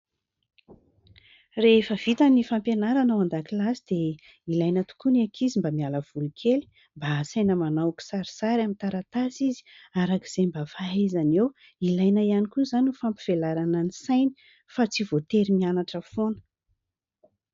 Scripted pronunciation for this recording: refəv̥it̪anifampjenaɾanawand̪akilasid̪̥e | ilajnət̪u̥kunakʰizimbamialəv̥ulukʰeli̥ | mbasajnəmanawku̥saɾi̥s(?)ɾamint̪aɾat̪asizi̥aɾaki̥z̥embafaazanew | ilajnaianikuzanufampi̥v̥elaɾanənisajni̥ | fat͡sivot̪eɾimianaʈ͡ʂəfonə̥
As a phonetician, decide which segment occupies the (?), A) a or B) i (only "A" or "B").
A